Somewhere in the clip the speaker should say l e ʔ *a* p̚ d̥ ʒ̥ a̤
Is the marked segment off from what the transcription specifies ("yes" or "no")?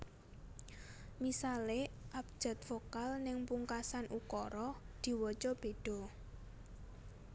no